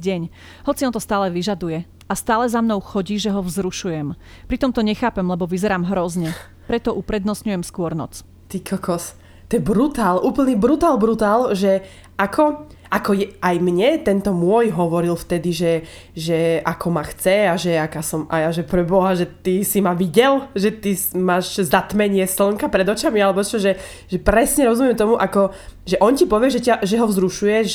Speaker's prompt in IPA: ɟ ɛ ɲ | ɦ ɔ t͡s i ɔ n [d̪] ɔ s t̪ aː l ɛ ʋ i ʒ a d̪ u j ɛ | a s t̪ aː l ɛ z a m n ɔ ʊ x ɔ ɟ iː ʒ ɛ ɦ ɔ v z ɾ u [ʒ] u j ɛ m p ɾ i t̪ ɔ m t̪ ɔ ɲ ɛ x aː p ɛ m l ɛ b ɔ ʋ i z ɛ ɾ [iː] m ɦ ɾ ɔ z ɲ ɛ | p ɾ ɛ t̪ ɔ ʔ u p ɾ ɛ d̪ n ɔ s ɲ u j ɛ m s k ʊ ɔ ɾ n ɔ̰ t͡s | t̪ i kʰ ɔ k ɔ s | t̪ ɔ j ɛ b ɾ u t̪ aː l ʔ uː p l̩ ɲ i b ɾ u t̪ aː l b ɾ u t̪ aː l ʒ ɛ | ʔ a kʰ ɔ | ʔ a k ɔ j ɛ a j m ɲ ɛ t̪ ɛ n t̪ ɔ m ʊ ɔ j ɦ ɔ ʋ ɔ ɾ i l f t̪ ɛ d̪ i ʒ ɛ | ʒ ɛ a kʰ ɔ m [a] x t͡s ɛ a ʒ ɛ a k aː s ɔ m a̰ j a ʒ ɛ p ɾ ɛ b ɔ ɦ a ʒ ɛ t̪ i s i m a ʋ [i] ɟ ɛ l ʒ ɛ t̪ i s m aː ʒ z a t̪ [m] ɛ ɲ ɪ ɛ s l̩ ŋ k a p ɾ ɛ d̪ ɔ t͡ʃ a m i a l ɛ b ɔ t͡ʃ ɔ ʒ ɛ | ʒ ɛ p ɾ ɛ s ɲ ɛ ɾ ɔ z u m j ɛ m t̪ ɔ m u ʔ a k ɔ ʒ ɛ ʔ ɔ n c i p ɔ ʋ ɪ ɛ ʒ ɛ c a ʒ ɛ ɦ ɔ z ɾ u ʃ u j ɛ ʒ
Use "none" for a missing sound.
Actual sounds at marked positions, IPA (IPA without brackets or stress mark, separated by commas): t̪, ʃ, aː, a, i, m